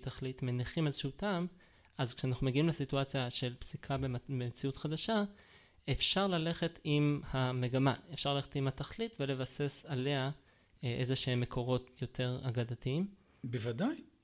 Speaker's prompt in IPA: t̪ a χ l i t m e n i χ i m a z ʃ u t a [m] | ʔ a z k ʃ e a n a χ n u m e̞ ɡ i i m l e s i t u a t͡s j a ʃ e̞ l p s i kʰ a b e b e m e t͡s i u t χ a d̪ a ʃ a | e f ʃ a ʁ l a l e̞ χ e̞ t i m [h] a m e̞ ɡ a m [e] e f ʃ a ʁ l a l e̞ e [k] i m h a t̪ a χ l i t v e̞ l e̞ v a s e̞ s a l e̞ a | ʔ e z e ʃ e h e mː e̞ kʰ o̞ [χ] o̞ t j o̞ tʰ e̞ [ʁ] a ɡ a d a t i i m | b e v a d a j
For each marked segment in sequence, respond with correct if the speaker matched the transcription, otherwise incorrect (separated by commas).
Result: correct, correct, incorrect, incorrect, incorrect, correct